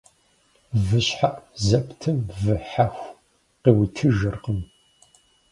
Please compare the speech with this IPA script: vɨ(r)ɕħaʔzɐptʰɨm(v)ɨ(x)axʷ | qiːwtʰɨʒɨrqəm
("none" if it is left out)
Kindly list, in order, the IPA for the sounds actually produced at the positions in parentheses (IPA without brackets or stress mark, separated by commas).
none, v, ħ